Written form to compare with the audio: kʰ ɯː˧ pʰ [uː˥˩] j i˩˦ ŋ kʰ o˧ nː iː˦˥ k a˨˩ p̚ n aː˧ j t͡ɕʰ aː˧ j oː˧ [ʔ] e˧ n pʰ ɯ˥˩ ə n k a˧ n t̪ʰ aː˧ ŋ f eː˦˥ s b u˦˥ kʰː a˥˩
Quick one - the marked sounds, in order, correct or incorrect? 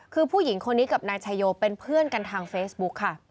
correct, incorrect

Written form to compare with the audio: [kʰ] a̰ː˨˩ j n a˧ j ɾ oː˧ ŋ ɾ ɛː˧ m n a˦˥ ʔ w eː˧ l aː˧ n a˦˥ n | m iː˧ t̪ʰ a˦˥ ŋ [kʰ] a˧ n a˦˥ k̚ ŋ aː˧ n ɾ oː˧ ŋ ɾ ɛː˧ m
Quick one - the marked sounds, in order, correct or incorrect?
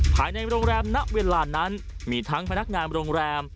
incorrect, incorrect

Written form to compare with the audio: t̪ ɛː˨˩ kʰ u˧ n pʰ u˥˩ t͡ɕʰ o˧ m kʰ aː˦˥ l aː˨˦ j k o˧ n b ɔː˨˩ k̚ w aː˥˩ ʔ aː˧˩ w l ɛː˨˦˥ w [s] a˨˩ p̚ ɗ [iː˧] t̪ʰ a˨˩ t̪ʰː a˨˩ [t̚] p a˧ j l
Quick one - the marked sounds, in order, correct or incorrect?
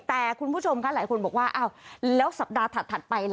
correct, incorrect, correct

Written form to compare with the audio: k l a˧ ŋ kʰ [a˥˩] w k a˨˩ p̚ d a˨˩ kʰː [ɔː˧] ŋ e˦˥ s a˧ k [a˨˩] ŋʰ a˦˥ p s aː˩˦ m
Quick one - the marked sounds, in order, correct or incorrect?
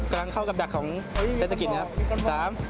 correct, incorrect, incorrect

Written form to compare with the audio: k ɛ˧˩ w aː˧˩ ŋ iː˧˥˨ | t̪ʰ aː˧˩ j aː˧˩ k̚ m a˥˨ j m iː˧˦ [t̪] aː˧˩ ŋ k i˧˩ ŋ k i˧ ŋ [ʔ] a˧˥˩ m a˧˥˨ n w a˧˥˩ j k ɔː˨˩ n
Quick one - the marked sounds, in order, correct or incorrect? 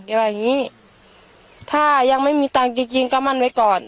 correct, incorrect

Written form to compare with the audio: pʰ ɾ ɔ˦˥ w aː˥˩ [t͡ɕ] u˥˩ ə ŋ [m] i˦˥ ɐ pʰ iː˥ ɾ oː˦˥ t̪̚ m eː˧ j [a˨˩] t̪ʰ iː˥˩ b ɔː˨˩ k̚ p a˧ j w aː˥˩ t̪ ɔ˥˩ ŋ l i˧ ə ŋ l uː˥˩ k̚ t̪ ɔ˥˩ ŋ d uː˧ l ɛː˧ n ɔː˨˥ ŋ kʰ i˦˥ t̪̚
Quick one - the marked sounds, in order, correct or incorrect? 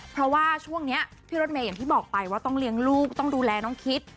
incorrect, incorrect, correct

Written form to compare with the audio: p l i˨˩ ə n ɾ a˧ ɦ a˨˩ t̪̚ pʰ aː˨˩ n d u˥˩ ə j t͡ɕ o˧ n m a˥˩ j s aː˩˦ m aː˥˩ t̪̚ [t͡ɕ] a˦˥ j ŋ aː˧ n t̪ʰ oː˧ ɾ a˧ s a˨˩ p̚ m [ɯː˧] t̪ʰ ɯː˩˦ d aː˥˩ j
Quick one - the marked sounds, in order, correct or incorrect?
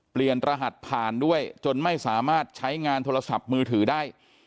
incorrect, correct

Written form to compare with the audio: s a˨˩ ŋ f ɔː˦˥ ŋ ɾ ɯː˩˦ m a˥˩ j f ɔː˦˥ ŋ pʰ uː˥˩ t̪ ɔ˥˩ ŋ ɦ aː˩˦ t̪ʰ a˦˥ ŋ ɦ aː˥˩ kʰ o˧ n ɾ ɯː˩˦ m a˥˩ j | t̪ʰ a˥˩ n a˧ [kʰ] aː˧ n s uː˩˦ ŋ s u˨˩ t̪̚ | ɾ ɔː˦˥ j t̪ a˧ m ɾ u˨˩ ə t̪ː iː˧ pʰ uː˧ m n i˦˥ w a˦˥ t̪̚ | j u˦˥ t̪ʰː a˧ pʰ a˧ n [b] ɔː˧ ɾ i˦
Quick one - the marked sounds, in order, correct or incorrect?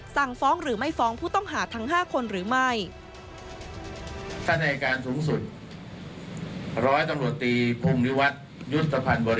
incorrect, correct

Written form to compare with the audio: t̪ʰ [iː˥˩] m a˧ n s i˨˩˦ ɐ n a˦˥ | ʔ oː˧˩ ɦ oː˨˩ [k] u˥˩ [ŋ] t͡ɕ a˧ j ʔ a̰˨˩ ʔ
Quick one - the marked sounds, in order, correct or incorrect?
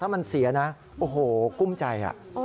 incorrect, correct, incorrect

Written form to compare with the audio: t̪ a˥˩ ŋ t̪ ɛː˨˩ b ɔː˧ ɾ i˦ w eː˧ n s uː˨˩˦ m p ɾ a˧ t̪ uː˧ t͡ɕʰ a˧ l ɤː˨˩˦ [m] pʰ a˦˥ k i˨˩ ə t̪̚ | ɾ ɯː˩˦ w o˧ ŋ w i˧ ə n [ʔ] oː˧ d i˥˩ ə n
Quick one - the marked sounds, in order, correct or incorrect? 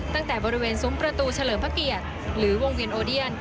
correct, correct

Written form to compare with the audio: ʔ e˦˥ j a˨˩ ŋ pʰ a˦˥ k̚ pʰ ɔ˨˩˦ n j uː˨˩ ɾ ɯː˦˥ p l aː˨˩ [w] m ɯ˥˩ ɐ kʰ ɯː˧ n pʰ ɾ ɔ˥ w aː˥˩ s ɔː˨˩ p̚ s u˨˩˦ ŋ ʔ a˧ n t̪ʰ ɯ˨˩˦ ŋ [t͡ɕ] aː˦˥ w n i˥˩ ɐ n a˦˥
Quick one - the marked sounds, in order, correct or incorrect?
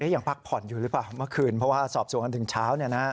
correct, incorrect

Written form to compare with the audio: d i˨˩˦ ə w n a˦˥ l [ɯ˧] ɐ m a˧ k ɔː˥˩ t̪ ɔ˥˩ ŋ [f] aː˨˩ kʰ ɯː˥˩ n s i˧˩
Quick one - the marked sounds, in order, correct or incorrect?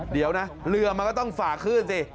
correct, correct

